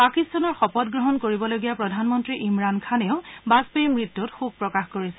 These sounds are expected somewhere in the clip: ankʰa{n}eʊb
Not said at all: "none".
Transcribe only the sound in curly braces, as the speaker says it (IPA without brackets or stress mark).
n